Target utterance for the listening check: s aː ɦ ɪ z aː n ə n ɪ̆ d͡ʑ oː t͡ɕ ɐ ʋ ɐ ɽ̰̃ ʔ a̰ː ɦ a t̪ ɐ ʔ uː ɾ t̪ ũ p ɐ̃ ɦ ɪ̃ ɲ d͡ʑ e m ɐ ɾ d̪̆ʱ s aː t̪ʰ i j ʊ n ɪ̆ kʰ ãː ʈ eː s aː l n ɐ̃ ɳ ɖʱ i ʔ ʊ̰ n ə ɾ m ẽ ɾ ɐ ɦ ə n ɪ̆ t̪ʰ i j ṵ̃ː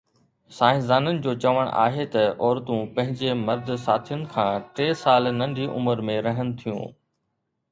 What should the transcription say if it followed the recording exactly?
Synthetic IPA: s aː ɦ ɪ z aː n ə n ɪ̆ d͡ʑ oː t͡ɕ ɐ ʋ ə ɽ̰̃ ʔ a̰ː ɦ e t̪ ɐ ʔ ɔː ɾ t̪ ũ p ɐ̃ ɦ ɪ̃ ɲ d͡ʑ e m ɐ ɾ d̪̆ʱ s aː t̪ʰ i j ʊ n ɪ̆ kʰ ãː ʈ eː s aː l n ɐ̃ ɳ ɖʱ i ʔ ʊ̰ m ə ɾ m ẽ ɾ ɐ ɦ ə n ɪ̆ t̪ʰ i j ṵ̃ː